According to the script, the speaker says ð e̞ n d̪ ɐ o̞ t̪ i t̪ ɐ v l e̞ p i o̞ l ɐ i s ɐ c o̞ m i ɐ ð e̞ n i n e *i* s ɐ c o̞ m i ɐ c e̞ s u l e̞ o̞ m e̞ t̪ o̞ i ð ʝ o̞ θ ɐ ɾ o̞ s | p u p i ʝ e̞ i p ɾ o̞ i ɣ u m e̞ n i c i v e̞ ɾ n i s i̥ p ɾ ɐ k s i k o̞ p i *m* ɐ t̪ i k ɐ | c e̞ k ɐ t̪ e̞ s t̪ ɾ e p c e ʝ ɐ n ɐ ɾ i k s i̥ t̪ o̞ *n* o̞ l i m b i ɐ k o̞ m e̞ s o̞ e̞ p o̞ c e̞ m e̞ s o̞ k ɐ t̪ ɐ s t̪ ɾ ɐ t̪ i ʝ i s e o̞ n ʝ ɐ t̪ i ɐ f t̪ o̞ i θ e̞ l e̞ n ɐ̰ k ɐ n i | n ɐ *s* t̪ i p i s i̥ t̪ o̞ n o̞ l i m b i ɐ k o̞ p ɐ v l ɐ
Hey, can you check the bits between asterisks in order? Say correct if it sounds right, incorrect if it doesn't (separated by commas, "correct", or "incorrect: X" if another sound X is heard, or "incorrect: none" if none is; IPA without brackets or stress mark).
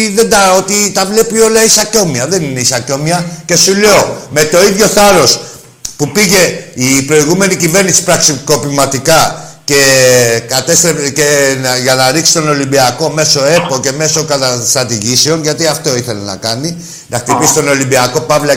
correct, correct, correct, incorrect: x